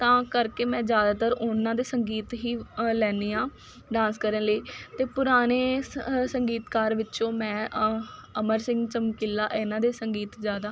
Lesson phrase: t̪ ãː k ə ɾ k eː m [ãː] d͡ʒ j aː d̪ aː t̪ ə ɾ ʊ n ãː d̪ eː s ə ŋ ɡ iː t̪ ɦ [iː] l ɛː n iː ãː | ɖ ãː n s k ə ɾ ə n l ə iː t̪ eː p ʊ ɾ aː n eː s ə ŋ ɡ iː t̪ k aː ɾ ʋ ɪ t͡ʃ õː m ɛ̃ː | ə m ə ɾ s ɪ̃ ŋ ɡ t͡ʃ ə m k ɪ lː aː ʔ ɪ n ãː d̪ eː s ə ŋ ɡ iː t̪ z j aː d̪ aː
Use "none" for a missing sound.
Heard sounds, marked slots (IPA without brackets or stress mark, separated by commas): ɛ̃ː, iː